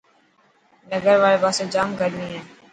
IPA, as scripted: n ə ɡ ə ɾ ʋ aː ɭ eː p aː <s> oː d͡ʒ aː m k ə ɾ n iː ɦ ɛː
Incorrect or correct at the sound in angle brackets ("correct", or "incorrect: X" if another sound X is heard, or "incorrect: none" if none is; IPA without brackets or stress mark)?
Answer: correct